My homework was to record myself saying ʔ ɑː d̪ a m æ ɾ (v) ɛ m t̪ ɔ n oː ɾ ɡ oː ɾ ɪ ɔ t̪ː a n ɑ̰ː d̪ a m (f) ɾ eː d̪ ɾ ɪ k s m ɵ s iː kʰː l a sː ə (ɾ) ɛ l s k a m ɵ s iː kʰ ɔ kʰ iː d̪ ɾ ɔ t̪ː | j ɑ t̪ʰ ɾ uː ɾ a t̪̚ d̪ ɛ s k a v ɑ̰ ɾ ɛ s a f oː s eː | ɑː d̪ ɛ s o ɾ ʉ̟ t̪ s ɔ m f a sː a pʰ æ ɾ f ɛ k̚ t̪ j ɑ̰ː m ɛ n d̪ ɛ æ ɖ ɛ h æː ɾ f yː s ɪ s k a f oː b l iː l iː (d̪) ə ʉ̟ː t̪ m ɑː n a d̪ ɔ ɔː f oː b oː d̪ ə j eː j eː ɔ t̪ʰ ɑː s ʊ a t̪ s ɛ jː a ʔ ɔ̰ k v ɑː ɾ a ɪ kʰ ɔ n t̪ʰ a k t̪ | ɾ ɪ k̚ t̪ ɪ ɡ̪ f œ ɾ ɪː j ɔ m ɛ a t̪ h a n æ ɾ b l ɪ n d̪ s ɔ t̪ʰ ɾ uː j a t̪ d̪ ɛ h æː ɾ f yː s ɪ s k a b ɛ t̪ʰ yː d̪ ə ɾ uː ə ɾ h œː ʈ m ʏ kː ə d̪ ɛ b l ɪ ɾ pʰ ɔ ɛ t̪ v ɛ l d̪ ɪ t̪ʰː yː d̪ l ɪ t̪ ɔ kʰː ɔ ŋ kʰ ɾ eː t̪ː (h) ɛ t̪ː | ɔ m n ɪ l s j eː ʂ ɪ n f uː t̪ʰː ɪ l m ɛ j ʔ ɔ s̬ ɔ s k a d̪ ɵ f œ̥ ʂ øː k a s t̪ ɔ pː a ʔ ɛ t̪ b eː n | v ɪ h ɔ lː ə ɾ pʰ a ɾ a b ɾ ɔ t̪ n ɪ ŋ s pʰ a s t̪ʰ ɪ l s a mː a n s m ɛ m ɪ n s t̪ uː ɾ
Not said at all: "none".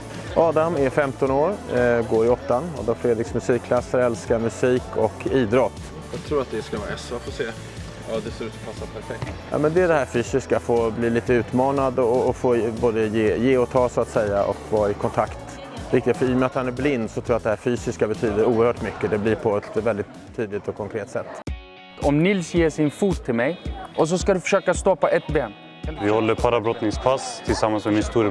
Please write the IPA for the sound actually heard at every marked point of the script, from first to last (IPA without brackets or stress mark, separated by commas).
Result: f, f, ɾ, t̪, s